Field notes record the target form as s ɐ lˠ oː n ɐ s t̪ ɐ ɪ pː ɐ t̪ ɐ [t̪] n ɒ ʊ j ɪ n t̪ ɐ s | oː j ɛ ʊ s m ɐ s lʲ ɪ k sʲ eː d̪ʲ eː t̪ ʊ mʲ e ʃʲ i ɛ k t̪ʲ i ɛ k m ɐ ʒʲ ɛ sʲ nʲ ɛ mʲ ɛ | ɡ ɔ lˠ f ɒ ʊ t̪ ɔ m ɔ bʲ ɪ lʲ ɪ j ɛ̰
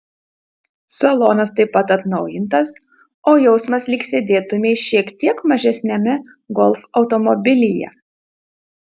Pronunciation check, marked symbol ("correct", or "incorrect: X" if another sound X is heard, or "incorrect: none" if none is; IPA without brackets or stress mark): correct